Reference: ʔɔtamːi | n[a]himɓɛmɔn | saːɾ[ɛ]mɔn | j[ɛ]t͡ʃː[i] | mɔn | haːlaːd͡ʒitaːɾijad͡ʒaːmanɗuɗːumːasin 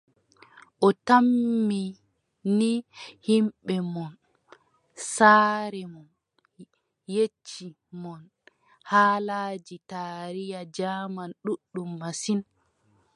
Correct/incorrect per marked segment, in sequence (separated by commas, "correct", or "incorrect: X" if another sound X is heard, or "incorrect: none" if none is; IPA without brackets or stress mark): incorrect: i, correct, incorrect: e, correct